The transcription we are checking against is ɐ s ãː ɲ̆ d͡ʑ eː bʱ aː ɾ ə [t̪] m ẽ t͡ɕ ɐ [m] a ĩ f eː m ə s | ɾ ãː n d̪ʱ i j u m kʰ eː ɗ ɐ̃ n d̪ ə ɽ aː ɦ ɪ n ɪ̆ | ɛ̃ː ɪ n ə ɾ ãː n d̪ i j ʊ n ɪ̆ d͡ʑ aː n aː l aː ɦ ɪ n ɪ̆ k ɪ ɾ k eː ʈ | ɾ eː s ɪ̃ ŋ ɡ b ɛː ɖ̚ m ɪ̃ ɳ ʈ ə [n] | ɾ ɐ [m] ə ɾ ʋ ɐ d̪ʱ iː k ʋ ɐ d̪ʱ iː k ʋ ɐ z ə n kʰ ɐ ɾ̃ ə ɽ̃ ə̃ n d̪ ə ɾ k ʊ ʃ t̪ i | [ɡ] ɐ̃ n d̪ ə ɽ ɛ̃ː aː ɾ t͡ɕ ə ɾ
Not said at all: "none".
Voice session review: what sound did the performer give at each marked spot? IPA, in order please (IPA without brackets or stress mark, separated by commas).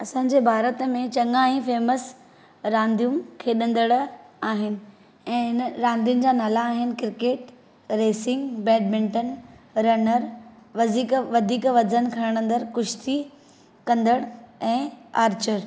t̪, ŋ, n, n, k